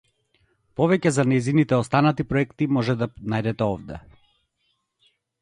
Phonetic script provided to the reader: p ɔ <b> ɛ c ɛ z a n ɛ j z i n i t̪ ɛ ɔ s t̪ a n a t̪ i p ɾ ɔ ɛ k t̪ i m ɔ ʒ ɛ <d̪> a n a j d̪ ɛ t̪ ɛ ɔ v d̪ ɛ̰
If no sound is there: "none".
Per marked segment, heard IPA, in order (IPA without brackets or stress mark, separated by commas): v, d̪